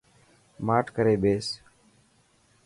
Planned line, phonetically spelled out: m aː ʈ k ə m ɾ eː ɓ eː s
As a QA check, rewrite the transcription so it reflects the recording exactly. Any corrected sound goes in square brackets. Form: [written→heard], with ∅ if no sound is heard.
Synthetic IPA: m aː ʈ k ə [m→∅] ɾ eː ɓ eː s